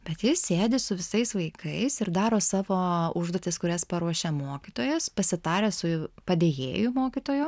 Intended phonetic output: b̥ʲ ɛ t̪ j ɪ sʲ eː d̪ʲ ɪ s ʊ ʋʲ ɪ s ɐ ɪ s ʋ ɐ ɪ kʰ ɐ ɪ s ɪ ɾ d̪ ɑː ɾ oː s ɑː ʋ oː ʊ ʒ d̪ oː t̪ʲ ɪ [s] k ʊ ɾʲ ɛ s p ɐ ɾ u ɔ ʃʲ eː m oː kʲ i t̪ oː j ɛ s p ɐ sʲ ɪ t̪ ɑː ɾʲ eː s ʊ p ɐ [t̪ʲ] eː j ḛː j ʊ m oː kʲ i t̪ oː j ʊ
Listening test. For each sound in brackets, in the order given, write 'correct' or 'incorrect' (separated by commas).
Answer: correct, incorrect